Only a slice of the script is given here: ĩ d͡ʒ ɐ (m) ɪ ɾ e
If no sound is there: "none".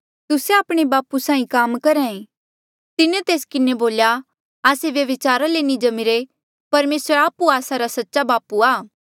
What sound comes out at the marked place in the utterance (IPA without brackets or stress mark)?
m